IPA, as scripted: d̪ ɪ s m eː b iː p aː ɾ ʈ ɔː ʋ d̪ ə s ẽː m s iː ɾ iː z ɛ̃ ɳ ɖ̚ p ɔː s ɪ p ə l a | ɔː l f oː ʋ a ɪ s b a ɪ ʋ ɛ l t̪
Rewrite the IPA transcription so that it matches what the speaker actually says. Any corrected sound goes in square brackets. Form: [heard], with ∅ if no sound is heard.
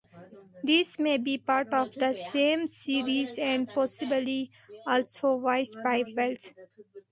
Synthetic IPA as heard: d̪ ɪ s m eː b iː p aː ɾ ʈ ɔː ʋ d̪ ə s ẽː m s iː ɾ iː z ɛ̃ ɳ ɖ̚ p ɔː s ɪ [b] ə l [i] | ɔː l [s] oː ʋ a ɪ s b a ɪ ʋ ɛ l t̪